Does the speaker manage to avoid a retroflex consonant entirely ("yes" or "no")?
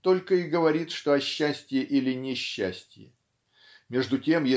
no